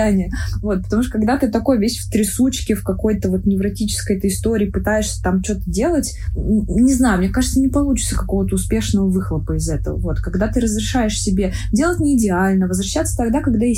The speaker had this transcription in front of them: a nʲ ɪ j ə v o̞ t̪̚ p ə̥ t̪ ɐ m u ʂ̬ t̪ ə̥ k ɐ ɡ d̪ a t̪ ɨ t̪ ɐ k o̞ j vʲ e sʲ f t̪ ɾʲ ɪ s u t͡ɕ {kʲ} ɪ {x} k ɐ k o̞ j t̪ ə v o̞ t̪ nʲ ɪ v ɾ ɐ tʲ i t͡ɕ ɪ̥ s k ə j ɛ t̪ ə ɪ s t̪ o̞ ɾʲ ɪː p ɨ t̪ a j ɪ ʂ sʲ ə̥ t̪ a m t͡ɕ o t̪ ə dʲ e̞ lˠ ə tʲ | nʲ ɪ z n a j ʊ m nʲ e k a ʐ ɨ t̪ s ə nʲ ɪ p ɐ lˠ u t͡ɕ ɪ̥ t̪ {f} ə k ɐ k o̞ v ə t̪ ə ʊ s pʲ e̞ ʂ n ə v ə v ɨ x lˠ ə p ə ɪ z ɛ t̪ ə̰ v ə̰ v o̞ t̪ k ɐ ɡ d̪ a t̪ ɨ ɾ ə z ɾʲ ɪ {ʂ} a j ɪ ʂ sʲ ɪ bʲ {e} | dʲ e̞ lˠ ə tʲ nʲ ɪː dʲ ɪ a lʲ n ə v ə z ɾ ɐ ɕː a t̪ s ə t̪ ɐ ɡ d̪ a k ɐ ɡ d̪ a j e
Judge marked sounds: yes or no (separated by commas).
yes, no, no, yes, yes